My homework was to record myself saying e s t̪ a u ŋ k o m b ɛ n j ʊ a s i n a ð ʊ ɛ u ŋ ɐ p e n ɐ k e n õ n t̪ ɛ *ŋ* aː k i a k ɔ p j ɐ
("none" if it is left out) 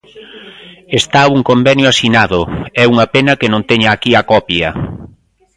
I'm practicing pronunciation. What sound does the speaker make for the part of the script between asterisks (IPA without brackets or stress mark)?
ɲ